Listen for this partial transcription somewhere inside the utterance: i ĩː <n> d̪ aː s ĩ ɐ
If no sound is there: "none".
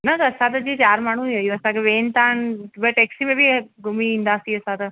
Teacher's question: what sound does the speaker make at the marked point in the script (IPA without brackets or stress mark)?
n